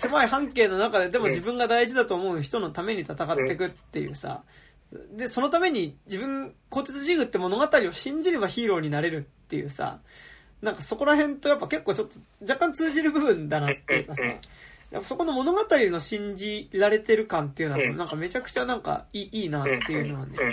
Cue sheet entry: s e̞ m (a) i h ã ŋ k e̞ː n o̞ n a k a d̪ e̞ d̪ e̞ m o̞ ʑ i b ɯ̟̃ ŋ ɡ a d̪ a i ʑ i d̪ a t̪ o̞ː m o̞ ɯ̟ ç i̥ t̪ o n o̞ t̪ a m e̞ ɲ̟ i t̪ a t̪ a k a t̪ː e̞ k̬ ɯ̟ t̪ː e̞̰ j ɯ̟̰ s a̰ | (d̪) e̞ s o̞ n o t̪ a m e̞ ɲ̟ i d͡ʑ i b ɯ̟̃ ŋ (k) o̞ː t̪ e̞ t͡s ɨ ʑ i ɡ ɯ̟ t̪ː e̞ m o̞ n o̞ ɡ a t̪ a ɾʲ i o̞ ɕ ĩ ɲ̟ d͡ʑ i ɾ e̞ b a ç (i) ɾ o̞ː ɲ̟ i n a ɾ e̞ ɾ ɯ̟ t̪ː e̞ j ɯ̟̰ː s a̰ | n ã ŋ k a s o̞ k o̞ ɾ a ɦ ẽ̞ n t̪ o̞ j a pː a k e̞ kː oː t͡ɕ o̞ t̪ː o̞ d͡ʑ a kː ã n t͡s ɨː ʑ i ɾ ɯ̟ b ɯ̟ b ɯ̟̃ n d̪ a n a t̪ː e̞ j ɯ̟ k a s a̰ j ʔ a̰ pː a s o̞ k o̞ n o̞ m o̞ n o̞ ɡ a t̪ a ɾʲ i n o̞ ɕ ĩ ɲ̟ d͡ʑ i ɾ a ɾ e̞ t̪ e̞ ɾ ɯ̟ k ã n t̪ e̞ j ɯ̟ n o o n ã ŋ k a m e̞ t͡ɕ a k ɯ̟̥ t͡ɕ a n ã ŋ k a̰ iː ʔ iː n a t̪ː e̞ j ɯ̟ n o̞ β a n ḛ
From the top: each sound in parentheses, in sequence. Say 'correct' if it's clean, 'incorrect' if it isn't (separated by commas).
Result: correct, correct, correct, incorrect